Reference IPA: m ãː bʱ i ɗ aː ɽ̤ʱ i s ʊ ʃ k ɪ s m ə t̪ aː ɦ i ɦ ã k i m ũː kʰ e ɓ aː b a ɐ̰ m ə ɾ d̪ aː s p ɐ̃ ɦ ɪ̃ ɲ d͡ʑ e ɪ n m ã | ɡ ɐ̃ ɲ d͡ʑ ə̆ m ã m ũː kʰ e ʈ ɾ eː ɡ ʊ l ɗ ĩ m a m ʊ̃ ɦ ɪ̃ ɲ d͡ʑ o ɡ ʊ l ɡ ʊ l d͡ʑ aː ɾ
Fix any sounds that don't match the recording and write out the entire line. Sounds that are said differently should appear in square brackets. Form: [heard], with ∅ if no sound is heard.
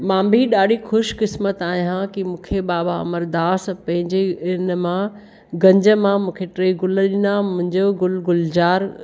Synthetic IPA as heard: m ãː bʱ i ɗ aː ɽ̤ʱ i [x] ʊ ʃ k ɪ s m ə t̪ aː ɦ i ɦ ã k i m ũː kʰ e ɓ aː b a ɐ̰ m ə ɾ d̪ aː s p ɐ̃ ɦ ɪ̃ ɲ d͡ʑ e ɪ n m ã | ɡ ɐ̃ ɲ d͡ʑ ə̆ m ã m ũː kʰ e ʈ ɾ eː ɡ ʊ l ɗ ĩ [n] a m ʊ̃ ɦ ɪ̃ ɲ d͡ʑ o ɡ ʊ l ɡ ʊ l d͡ʑ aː ɾ